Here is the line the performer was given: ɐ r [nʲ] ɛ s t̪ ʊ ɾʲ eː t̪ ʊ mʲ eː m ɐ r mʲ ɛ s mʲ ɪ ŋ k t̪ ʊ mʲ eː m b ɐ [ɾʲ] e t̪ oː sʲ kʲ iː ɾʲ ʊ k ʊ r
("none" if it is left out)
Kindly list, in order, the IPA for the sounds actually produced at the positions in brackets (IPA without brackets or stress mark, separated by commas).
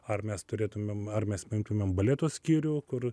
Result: mʲ, lʲ